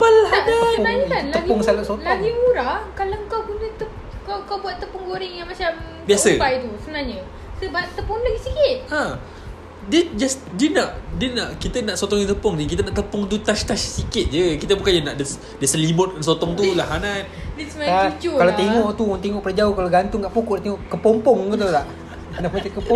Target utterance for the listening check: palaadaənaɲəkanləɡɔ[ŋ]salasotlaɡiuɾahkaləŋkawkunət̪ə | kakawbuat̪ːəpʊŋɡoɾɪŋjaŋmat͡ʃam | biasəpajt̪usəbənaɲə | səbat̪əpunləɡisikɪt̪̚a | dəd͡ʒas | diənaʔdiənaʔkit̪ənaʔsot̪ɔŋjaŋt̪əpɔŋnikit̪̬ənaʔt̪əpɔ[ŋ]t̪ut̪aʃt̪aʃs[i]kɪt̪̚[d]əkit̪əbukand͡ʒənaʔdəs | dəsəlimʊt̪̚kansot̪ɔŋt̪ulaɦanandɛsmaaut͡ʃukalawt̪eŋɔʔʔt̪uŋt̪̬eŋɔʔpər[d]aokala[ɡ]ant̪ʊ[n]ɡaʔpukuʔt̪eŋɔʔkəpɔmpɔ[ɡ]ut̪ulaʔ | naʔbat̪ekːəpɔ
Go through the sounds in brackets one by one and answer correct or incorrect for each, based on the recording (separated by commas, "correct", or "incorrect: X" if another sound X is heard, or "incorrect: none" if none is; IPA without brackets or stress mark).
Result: correct, correct, correct, incorrect: d͡ʒ, incorrect: d͡ʒ, correct, incorrect: ŋ, incorrect: ŋ